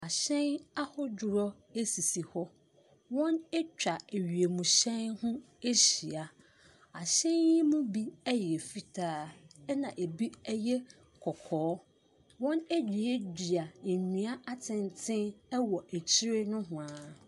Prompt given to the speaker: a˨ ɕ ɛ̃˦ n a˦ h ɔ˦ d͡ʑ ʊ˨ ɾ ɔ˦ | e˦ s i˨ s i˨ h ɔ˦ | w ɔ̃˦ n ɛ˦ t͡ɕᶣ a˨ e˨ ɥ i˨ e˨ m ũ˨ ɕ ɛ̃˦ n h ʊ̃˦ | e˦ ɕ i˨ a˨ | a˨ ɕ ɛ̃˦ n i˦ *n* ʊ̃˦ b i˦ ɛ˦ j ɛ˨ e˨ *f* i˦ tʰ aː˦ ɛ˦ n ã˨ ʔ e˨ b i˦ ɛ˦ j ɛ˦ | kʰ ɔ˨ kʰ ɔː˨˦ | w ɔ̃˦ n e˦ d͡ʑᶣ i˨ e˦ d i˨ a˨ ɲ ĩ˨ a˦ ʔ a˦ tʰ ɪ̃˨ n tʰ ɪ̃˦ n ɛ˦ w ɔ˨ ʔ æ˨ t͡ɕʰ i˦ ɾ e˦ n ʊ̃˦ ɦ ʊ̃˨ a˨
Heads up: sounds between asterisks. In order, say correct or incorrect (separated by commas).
incorrect, correct